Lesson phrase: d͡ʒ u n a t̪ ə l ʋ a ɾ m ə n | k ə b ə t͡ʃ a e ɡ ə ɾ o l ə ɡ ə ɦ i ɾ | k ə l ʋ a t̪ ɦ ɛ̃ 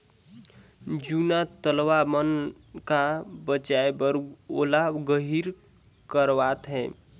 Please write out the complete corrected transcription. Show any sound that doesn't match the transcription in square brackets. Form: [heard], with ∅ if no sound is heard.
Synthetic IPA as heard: d͡ʒ u n a t̪ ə l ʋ a [∅] m ə n | k [a] b ə t͡ʃ a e [b] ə ɾ o l [a] ɡ ə ɦ i ɾ | k ə [ɾ] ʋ a t̪ ɦ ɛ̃